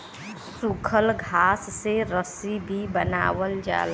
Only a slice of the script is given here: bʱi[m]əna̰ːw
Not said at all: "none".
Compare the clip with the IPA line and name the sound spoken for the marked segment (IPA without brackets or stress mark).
b